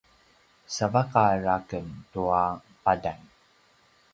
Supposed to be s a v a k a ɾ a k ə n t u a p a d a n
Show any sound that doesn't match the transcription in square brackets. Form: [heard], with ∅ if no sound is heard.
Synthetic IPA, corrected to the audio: s a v a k a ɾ a k ə n t u a p a d a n